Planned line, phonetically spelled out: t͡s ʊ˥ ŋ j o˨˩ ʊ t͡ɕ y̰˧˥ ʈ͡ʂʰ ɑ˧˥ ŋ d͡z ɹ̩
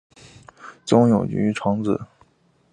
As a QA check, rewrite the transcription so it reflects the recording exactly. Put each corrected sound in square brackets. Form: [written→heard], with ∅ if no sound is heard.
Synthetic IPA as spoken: t͡s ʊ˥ ŋ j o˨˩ ʊ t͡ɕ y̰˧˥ ʈ͡ʂʰ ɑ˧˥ ŋ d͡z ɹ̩

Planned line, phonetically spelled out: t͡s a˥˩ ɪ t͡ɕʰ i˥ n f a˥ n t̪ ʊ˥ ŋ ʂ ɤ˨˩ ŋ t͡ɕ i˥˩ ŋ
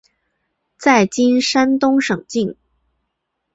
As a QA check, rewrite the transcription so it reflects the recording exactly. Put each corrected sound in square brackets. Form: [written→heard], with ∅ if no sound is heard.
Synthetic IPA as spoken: t͡s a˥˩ ɪ [t͡ɕʰ→t͡ɕ] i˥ n [f→ʂ] a˥ n t̪ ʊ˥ ŋ ʂ ɤ˨˩ ŋ t͡ɕ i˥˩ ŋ

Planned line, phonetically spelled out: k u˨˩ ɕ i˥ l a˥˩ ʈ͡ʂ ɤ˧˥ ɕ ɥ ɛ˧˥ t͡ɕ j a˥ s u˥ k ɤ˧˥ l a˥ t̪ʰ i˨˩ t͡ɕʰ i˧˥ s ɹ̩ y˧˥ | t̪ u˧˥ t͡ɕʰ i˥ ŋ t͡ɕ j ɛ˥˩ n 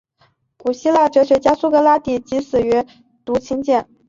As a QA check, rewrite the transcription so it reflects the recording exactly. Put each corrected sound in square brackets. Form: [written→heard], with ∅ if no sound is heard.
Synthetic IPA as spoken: k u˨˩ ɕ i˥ l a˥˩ ʈ͡ʂ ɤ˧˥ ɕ ɥ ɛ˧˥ t͡ɕ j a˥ s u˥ k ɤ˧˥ l a˥ [t̪ʰ→t̪] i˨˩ [t͡ɕʰ→t͡ɕ] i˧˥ s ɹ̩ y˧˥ | t̪ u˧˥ t͡ɕʰ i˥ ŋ t͡ɕ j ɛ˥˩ n

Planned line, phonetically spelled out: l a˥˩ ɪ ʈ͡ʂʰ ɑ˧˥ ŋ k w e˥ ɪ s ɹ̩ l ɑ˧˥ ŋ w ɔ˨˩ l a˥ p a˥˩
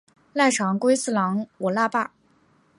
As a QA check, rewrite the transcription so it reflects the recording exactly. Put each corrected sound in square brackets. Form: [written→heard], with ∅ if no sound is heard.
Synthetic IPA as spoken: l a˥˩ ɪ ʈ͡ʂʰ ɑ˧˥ ŋ k w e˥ ɪ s ɹ̩ l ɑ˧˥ ŋ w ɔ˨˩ l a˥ p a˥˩

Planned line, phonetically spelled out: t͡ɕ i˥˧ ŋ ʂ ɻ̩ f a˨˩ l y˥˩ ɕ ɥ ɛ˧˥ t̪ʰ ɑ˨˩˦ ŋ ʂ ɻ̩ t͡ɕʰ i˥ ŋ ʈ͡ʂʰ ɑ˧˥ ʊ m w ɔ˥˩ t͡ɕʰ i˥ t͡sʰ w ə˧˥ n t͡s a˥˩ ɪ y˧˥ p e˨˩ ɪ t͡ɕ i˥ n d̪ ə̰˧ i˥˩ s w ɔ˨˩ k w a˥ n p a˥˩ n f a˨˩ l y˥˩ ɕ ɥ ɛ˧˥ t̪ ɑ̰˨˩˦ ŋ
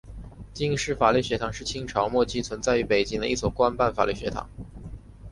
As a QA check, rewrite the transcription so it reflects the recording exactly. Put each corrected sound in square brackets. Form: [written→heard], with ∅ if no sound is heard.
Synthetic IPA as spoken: t͡ɕ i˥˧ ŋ ʂ ɻ̩ f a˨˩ l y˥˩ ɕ ɥ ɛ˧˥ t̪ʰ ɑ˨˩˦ ŋ ʂ ɻ̩ t͡ɕʰ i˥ ŋ ʈ͡ʂʰ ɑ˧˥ ʊ m w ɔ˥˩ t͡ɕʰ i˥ t͡sʰ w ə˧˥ n t͡s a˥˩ ɪ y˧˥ p e˨˩ ɪ t͡ɕ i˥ [n→ŋ] d̪ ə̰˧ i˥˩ s w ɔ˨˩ k w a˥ n p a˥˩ n f a˨˩ l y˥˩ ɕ ɥ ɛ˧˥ [t̪→t̪ʰ] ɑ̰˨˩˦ ŋ

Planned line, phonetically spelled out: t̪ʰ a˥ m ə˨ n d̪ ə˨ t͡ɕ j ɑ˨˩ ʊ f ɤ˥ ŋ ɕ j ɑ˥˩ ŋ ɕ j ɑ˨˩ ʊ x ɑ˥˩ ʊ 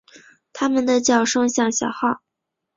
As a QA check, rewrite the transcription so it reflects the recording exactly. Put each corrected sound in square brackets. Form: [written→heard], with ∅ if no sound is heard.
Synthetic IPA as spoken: t̪ʰ a˥ m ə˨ n d̪ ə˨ t͡ɕ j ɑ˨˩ ʊ [f→ʂ] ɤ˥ ŋ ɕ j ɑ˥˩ ŋ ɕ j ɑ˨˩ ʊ x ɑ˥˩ ʊ

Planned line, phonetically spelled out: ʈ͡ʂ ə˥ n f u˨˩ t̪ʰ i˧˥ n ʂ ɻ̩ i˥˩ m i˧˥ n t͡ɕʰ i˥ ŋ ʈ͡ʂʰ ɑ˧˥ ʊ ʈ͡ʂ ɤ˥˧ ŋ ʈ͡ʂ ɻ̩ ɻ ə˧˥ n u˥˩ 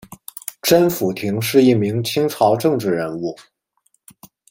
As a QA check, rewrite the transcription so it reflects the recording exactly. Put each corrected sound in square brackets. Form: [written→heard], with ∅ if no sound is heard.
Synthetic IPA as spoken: ʈ͡ʂ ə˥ n f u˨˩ t̪ʰ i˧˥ [n→ŋ] ʂ ɻ̩ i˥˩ m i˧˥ [n→ŋ] t͡ɕʰ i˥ ŋ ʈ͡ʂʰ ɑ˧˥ ʊ ʈ͡ʂ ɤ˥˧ ŋ ʈ͡ʂ ɻ̩ ɻ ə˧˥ n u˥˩

